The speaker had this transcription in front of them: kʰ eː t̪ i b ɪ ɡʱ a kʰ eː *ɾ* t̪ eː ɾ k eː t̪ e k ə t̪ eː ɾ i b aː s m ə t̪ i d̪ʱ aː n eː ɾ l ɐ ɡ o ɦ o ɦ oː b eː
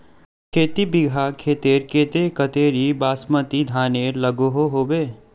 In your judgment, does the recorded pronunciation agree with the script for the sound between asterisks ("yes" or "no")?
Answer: no